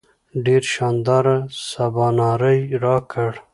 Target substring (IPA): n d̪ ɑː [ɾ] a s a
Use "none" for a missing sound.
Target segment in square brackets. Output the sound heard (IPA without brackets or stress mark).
ɾ